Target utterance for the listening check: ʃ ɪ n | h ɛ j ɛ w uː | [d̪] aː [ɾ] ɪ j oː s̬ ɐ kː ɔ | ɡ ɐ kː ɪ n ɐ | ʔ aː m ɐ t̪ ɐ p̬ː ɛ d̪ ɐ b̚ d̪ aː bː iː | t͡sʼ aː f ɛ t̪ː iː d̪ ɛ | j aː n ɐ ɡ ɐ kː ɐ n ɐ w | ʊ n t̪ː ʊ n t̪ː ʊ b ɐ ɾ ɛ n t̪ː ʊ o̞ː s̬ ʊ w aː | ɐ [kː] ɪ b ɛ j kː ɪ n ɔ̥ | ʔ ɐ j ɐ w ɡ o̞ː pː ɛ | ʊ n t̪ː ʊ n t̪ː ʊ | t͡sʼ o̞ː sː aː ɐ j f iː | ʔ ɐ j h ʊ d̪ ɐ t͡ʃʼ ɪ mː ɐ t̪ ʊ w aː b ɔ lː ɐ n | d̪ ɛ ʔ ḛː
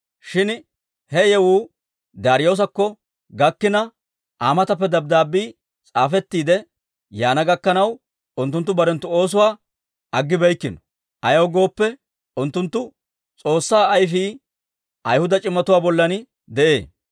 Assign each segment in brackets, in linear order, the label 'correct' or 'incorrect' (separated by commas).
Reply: correct, correct, incorrect